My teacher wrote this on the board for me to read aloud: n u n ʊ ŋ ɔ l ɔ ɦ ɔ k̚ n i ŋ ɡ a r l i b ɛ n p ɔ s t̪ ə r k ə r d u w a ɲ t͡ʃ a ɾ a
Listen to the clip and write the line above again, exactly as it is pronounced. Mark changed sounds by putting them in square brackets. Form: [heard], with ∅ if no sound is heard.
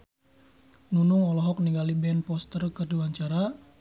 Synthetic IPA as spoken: n u n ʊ ŋ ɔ l ɔ ɦ ɔ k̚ n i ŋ ɡ a [∅] l i b ɛ n p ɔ s t̪ ə r k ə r d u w a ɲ t͡ʃ a ɾ a